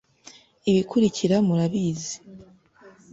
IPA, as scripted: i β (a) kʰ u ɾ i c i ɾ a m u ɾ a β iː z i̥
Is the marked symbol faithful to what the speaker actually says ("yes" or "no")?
no